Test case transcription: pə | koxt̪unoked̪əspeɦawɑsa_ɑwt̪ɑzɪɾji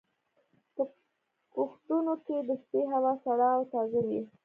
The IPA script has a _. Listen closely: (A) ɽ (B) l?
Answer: A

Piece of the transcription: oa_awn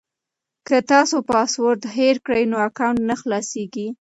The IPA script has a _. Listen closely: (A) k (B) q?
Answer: A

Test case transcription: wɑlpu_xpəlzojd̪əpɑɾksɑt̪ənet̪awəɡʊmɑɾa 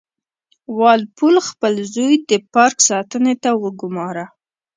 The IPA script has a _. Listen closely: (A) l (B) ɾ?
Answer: A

